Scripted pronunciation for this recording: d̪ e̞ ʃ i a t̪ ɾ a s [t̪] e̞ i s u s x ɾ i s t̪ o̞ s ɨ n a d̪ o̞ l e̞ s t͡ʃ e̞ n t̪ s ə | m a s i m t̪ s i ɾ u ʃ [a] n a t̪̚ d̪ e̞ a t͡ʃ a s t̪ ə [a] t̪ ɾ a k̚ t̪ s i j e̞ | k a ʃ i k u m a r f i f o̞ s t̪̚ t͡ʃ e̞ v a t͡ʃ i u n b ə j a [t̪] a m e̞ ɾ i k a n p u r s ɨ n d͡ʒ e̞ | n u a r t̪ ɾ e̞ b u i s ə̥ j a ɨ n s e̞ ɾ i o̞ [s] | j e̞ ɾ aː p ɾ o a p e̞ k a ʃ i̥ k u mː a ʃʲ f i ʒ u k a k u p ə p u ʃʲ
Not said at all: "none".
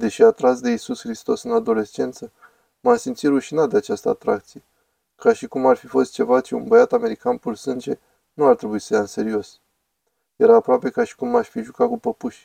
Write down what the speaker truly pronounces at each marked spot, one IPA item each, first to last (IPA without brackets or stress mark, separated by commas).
d̪, i, a, t̪, s